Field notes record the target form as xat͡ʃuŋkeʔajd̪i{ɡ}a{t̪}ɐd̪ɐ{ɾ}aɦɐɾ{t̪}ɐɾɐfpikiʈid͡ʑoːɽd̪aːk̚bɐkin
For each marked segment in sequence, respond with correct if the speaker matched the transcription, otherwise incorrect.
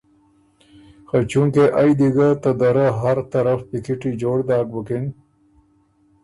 correct, correct, correct, correct

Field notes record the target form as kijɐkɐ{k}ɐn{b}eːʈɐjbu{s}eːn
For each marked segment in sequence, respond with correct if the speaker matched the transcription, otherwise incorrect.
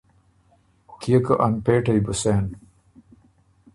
incorrect: ʔ, incorrect: p, correct

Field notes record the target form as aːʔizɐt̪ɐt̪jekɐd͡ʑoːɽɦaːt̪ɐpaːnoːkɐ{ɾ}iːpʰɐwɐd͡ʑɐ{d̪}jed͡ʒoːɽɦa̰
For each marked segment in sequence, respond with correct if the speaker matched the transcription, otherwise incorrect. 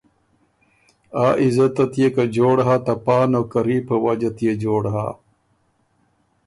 correct, incorrect: t̪

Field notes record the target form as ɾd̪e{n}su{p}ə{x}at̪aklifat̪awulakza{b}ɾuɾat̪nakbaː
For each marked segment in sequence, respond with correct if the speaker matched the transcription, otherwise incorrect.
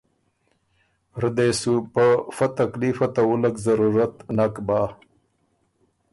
incorrect: none, correct, incorrect: f, incorrect: none

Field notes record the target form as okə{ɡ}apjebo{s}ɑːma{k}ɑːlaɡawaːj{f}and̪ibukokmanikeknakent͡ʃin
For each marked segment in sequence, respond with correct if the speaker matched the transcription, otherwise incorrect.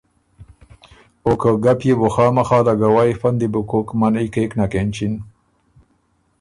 correct, incorrect: x, incorrect: x, correct

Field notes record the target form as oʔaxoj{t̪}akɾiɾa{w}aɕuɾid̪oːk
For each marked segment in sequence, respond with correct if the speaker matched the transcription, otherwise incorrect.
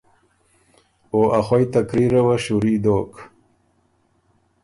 correct, correct

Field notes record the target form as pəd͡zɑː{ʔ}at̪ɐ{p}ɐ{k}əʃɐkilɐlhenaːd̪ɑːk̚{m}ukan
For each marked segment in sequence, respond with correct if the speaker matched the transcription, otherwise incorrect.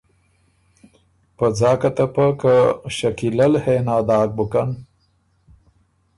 incorrect: k, correct, correct, incorrect: b

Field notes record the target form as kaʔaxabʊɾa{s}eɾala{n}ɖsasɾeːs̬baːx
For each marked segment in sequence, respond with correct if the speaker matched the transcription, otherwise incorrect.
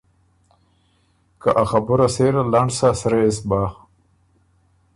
correct, incorrect: ɳ

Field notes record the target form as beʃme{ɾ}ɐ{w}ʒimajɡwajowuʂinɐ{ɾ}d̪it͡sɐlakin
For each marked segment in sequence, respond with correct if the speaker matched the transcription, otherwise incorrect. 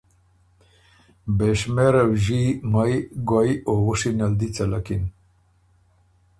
correct, correct, incorrect: l

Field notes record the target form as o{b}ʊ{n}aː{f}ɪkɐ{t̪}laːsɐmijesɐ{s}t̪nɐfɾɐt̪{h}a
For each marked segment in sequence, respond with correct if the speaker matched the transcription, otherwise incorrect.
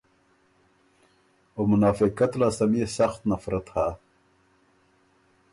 incorrect: m, correct, correct, correct, incorrect: x, correct

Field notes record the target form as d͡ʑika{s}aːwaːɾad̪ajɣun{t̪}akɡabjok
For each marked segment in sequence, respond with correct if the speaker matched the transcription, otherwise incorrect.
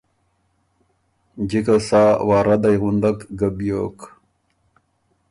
correct, incorrect: d̪

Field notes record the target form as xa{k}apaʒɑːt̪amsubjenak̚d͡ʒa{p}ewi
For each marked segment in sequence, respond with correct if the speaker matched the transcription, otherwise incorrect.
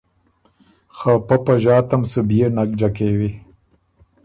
incorrect: p, incorrect: k

